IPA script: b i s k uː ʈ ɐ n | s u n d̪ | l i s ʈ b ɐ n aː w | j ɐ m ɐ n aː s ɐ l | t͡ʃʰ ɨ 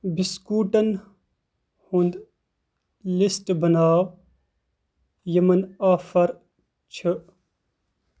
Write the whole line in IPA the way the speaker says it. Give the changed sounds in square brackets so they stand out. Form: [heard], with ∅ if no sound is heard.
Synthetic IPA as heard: b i s k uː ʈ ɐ n | [h] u n d̪ | l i s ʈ b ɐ n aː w | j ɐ m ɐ n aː [f] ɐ [ɾ] | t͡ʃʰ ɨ